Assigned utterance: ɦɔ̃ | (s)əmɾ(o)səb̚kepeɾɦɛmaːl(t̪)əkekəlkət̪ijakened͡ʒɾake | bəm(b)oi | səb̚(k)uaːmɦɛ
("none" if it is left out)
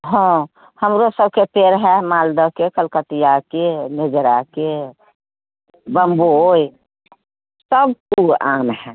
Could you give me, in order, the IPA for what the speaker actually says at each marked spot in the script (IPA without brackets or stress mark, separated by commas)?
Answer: h, o, d̪, b, k